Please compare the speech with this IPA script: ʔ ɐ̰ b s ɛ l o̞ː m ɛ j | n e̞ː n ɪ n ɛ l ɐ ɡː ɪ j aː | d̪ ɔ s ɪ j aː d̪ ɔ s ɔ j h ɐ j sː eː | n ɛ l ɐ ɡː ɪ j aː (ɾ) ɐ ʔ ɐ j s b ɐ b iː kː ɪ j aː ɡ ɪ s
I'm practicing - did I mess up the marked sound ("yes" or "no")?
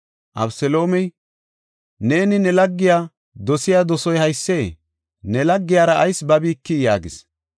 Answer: no